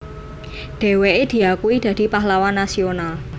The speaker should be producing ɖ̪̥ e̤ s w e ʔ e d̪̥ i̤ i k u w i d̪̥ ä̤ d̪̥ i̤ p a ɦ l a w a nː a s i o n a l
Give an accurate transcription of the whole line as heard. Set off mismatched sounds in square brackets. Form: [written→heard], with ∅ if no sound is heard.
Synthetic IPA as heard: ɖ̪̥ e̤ [s→∅] w e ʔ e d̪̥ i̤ [i→a] k u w i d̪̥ ä̤ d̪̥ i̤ p a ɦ l a w a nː a s i o n a l

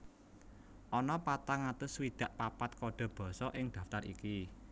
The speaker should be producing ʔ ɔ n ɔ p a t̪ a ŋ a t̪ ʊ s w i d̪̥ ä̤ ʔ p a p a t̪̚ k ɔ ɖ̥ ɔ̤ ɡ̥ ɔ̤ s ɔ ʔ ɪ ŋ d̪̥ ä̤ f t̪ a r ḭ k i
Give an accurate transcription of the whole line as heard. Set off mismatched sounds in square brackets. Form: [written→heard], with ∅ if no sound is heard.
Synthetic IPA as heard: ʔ ɔ n ɔ p a t̪ a ŋ a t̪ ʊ s w i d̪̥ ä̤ ʔ p a p a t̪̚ k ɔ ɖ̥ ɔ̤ [ɡ̥→b̥] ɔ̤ s ɔ ʔ ɪ ŋ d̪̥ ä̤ f t̪ a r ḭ k i

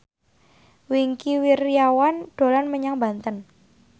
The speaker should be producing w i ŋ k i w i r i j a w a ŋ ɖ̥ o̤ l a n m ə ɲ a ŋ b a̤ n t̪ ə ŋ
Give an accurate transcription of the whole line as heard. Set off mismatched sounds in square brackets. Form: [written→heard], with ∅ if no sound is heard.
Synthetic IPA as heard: w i ŋ k i w i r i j a w a [ŋ→n] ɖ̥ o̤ l a n m ə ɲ a ŋ b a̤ n t̪ ə [ŋ→n]

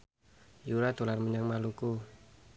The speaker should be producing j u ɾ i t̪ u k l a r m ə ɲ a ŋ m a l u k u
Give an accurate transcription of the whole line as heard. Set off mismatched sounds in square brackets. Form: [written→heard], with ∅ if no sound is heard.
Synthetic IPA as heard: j u ɾ [i→a] t̪ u [k→∅] l a r m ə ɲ a ŋ m a l u k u

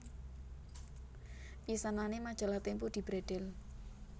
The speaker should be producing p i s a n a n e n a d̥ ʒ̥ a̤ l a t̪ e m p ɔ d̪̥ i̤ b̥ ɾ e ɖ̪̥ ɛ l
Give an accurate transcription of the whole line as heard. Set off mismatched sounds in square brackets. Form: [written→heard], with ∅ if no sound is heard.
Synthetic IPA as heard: p i s a n a n e [n→m] a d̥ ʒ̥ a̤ l a t̪ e m p [ɔ→u] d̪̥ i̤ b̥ ɾ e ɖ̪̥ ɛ l

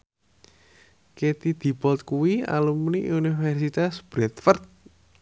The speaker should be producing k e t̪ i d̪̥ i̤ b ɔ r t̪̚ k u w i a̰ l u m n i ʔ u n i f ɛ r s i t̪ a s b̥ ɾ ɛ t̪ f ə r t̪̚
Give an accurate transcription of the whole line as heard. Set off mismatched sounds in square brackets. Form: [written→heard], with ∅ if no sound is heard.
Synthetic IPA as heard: k e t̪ i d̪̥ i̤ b ɔ [r→l] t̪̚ k u w i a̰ l u m n i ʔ u n i f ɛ r s i t̪ a s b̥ ɾ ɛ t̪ f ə r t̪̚

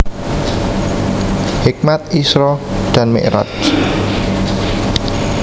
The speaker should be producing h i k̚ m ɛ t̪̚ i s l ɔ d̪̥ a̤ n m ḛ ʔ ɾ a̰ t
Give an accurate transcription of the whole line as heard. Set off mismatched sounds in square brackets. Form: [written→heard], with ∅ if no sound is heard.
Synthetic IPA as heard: h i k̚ m [ɛ→a] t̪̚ i s [l→ɾ] ɔ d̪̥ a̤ n m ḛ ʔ ɾ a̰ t

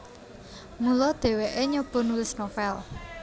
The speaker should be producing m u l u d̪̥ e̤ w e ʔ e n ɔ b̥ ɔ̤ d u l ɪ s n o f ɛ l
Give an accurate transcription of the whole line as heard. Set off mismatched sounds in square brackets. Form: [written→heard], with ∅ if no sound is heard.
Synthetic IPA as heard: m u l [u→ɔ] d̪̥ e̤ w e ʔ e [n→ɲ] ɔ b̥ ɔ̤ [d→n] u l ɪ s n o f ɛ l

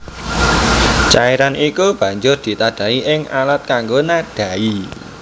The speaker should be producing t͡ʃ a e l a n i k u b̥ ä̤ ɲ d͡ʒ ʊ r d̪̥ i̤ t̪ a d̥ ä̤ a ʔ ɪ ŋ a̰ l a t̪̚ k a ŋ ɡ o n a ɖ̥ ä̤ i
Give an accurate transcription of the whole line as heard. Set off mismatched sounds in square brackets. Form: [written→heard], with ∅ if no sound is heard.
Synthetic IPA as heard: t͡ʃ a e [l→ɾ] a n i k u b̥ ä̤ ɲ d͡ʒ ʊ r d̪̥ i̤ t̪ a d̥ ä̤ [a→i] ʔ ɪ ŋ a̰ l a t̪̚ k a ŋ ɡ o n a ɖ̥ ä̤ i

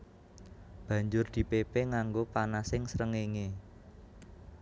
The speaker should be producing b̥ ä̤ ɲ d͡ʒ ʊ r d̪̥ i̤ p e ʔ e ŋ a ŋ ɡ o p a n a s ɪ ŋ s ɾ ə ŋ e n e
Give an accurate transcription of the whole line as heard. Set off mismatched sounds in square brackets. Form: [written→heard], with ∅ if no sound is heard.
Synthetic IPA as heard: b̥ ä̤ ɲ d͡ʒ ʊ r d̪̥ i̤ p e [ʔ→p] e ŋ a ŋ ɡ o p a n a s ɪ ŋ s ɾ ə ŋ e [n→ŋ] e

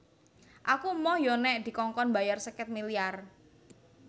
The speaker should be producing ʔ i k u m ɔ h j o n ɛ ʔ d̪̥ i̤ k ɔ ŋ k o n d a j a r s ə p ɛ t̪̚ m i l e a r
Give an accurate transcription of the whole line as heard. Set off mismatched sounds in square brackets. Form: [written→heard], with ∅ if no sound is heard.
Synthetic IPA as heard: ʔ [i→a] k u m ɔ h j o n ɛ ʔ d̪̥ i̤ k ɔ ŋ k [o→ɔ] n [d→b] a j a r s ə [p→k] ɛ t̪̚ m i l [e→i] a r

